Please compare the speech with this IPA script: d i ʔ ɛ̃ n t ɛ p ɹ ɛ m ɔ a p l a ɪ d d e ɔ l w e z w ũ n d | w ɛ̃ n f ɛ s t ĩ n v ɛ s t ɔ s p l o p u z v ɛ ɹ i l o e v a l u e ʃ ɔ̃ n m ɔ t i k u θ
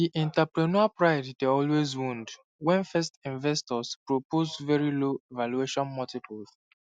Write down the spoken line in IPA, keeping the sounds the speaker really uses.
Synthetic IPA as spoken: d i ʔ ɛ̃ n t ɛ p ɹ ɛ n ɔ a p ɹ a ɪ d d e ɔ l w e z w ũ n d | w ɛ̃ n f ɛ s t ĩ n v ɛ s t ɔ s p ɹ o p o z v ɛ ɹ i l o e v a l u e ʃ ɔ̃ n m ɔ t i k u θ

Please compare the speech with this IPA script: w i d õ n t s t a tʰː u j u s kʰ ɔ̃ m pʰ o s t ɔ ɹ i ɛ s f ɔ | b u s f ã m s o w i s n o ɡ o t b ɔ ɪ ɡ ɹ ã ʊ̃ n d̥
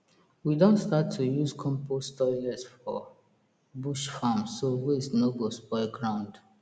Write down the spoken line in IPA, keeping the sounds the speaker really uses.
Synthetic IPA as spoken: w i d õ n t s t a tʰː u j u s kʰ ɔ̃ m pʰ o s t ɔ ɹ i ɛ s f ɔ | b u ʃ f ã m s o w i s n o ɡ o s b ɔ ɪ ɡ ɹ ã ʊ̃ n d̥

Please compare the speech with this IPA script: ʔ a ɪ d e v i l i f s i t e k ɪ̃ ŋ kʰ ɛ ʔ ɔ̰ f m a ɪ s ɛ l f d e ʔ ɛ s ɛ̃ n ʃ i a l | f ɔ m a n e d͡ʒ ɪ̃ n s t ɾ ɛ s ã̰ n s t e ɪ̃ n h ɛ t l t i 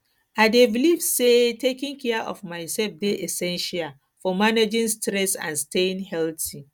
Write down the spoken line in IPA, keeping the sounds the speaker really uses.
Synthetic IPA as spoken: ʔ a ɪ d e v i l i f s e t e k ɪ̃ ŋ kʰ ɛ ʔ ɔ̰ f m a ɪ s ɛ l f d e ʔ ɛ s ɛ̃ n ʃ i a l | f ɔ m a n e d͡ʒ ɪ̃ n s t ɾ ɛ s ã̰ n s t e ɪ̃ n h ɛ l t i

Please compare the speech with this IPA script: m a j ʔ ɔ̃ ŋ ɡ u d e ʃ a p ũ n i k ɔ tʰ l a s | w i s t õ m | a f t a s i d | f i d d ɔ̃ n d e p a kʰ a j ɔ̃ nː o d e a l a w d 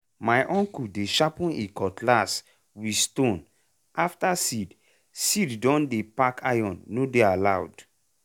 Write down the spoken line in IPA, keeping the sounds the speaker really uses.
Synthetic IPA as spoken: m a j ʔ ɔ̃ ŋ k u d e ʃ a p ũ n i k ɔ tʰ l a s | w i s t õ n | a f t a s i d | s i d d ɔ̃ n d e p a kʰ a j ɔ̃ nː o d e a l a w d

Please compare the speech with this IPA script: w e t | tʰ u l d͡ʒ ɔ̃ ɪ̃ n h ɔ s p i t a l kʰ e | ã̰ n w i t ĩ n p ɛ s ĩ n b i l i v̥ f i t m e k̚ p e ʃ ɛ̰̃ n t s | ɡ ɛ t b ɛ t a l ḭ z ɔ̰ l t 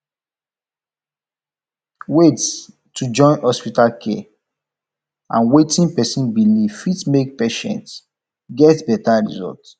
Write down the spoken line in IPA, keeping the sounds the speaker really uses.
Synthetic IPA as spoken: w e t | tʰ u d͡ʒ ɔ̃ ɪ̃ n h ɔ s p i t a l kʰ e | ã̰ n w e t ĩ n p ɛ s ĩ n b i l i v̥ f i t m e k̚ p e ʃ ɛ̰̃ n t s | ɡ ɛ t b ɛ t a ɹ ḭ z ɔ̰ l t

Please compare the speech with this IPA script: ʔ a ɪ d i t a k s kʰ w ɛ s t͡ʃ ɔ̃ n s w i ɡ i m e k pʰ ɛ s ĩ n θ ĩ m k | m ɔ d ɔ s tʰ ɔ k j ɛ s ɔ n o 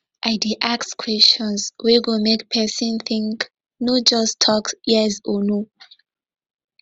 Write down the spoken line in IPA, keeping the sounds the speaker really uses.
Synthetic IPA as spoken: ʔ a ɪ d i ʔ a k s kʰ w ɛ s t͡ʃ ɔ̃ n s w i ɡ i m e k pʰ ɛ s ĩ n θ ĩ ŋ k | n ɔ d͡ʒ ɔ s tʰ ɔ k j ɛ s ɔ n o

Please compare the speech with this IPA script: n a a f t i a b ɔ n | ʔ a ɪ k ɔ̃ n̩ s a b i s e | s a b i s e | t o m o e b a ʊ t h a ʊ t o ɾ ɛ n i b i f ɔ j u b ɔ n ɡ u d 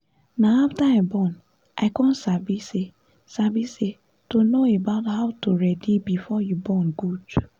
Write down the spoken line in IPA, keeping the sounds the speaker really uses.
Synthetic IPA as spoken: n a a f t a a b ɔ n | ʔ a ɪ k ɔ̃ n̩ s a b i s e | s a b i s e | t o n o e b a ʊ t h a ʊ t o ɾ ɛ d i b i f ɔ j u b ɔ n ɡ u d

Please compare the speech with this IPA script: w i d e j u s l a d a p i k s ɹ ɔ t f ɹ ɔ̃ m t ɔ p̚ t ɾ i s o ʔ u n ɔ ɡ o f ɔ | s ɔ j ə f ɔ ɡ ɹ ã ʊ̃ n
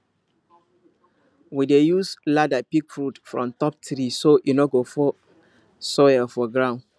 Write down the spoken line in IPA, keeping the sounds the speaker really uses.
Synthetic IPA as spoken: w i d e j u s l a d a p i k f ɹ u t f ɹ ɔ̃ m t ɔ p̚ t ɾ i s o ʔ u n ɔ ɡ o f ɔ | s ɔ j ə f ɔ ɡ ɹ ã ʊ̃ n

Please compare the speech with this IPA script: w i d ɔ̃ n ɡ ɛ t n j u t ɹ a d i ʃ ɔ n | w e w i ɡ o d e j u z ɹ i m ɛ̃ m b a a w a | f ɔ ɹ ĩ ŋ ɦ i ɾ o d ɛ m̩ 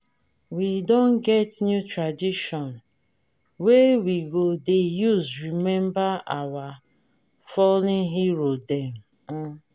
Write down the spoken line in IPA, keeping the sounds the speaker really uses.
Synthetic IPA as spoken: w i d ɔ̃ n ɡ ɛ t n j u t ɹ a d i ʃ ɔ n | w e w i ɡ o d e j u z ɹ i m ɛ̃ m b a a w a | f ɔ l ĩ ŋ ɦ i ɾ o d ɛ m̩

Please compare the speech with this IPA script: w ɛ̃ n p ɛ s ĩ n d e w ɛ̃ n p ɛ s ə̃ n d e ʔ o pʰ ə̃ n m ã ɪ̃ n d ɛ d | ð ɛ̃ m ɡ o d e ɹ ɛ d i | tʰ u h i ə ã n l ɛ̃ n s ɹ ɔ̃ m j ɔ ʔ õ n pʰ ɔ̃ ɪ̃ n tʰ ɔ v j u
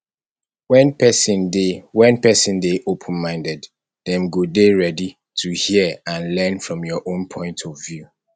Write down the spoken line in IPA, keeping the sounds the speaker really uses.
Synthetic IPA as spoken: w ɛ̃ n p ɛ s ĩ n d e w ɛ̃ n p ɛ s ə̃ n d e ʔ o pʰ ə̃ n m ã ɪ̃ n d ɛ d | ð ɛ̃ m ɡ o d e ɹ ɛ d i | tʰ u h i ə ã n l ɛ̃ n f ɹ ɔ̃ m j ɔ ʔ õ n pʰ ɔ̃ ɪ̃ n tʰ ɔ v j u

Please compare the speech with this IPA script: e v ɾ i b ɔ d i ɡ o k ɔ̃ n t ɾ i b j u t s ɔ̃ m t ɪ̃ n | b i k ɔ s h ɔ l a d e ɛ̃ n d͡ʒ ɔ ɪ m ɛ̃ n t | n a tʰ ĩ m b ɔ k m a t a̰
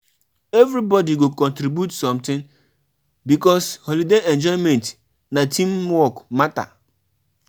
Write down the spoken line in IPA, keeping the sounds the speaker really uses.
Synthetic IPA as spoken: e v ɾ i b ɔ d i ɡ o k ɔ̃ n t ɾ i b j u t s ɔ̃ m t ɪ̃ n | b i k ɔ s h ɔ l i d e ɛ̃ n d͡ʒ ɔ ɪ m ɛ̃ n t | n a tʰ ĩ m w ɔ k m a t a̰

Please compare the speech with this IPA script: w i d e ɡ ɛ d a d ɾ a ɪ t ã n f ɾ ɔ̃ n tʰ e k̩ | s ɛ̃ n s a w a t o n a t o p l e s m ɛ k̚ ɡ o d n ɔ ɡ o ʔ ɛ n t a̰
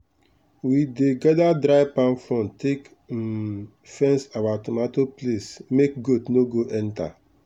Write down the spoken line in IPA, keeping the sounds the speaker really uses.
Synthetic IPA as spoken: w i d e ɡ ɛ d a d ɾ a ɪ p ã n f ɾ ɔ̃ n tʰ e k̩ | f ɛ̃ n s a w a t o m a t o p l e s m e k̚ ɡ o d n o ɡ o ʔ ɛ n t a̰

